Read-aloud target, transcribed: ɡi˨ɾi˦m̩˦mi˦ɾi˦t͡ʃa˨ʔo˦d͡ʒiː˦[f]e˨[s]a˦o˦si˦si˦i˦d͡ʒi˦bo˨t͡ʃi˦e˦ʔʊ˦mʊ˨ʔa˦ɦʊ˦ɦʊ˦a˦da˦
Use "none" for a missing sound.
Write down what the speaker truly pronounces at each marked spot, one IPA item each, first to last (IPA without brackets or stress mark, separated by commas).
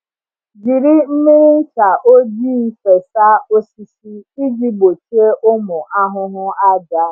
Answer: f, s